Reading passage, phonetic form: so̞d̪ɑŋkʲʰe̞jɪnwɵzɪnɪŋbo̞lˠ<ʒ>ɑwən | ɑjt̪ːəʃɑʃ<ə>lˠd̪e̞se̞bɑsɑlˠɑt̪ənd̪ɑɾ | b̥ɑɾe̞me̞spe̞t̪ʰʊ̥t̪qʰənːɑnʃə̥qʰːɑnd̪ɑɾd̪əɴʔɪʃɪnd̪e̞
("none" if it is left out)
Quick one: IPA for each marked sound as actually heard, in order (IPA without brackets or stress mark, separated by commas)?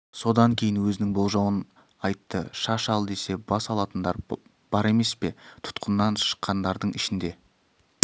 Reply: ʒ, ɑ